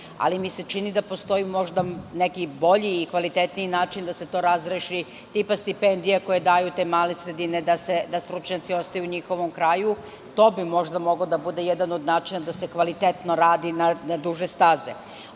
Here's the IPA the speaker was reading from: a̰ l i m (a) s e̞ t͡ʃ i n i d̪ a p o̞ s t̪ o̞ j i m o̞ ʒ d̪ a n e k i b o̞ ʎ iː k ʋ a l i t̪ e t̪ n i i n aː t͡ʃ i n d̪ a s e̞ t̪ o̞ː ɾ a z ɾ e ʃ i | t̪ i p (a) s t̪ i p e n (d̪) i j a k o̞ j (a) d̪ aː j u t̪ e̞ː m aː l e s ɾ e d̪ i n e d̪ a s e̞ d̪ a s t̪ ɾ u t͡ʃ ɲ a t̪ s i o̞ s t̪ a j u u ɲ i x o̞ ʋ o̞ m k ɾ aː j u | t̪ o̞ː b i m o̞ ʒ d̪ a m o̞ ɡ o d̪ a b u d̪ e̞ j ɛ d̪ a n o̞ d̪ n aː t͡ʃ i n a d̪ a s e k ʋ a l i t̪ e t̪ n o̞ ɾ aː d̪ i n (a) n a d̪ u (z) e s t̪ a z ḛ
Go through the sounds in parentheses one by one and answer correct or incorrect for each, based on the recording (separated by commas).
incorrect, correct, correct, incorrect, correct, incorrect